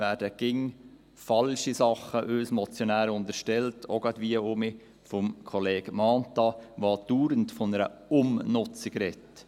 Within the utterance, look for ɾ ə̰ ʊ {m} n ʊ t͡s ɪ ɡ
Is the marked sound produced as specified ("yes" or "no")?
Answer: yes